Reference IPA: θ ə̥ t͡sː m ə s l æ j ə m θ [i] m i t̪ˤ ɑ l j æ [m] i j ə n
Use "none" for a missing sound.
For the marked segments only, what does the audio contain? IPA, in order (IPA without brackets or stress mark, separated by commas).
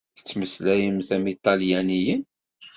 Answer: æ, n